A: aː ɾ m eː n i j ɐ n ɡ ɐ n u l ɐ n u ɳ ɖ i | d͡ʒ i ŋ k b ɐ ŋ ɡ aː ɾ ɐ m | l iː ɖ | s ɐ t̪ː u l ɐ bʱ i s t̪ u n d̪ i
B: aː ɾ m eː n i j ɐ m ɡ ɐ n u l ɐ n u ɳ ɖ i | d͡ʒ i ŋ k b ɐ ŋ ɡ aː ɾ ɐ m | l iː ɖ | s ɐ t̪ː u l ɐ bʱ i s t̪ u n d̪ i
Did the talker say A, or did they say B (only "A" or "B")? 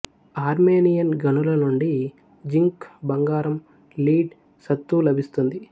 A